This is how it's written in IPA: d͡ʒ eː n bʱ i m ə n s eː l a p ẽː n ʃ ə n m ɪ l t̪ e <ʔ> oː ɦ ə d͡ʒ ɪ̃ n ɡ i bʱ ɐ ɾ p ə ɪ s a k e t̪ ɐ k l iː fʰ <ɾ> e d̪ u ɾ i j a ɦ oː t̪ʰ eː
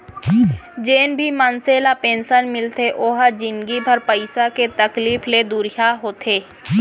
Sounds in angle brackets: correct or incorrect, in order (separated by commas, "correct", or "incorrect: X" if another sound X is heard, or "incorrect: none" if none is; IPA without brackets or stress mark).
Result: correct, incorrect: l